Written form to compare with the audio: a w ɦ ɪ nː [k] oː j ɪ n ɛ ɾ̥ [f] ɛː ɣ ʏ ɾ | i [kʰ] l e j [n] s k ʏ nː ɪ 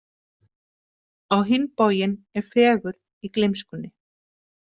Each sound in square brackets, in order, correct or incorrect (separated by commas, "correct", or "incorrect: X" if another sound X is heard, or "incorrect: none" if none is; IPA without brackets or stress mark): incorrect: p, correct, incorrect: k, incorrect: m